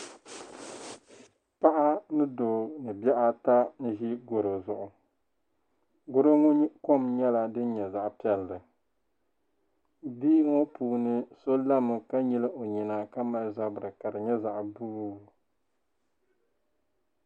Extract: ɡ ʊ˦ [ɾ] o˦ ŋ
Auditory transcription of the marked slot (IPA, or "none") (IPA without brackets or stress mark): ɾ